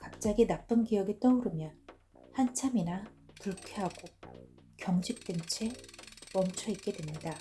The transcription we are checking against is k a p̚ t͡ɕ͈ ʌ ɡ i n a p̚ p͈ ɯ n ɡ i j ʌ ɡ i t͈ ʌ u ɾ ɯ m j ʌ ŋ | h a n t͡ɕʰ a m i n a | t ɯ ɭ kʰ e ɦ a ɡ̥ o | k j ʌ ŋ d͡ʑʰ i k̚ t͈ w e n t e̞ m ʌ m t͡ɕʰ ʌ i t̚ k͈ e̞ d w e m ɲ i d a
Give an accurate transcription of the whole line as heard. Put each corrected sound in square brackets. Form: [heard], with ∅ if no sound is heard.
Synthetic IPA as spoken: k a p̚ t͡ɕ͈ [a] ɡ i n a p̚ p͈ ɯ n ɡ i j ʌ ɡ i t͈ ʌ u ɾ ɯ m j ʌ [n] | h a n t͡ɕʰ a m i n a | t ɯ ɭ kʰ e ɦ a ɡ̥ o | k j ʌ ŋ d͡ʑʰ i k̚ t͈ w e n [t͡ɕʰ] e̞ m ʌ m t͡ɕʰ ʌ i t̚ k͈ e̞ d w e m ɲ i d a